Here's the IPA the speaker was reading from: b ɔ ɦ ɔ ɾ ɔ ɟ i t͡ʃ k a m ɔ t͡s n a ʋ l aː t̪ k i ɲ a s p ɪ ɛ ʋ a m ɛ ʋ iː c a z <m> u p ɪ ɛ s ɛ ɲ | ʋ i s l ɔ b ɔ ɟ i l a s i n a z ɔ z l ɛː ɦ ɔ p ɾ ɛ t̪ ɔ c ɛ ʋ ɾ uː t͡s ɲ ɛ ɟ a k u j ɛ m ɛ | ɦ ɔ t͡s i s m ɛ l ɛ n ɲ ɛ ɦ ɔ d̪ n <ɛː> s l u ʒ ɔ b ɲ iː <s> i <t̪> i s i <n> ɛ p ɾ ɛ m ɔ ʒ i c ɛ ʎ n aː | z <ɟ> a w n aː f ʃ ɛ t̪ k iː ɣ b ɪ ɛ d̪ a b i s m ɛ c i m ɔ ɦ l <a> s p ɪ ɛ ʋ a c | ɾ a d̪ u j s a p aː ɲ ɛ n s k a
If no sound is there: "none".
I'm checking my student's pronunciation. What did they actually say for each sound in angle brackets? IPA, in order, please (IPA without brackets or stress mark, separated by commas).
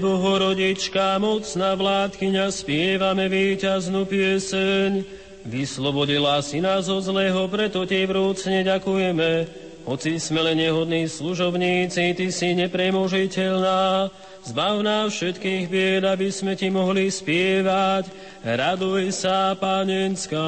n, iː, t͡s, t̪, ɲ, b, i